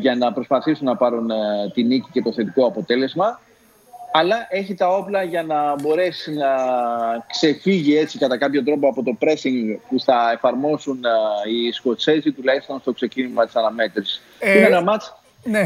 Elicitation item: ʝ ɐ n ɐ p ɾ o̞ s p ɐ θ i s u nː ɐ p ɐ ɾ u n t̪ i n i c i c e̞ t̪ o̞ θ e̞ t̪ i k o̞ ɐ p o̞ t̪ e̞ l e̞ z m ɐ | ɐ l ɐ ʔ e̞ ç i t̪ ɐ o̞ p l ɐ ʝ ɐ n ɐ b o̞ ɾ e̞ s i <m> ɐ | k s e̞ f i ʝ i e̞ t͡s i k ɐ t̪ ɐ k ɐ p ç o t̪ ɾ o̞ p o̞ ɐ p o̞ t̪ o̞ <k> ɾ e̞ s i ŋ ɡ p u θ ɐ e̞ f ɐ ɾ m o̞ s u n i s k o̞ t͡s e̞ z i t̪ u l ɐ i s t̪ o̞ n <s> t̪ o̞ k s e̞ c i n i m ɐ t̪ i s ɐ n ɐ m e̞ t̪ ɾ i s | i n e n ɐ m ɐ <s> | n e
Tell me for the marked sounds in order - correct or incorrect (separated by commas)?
incorrect, incorrect, correct, incorrect